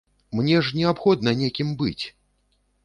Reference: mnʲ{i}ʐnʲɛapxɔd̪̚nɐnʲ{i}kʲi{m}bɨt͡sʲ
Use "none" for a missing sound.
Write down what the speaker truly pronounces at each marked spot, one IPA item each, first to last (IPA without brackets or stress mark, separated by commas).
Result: ɛ, e, m